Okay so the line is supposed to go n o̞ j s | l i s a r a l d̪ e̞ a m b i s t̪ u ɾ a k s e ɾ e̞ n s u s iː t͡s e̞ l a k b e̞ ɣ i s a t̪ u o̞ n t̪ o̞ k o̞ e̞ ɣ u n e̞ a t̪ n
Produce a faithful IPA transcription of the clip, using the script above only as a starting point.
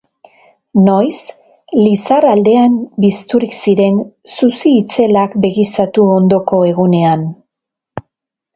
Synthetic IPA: n o̞ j s | l i s a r a l d̪ e̞ a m b i s t̪ u ɾ i k s i ɾ e̞ n s u s iː t͡s e̞ l a k b e̞ ɣ i s a t̪ u o̞ n d̪ o̞ k o̞ e̞ ɣ u n e̞ a n